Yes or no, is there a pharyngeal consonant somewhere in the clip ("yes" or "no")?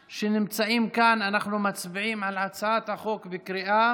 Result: yes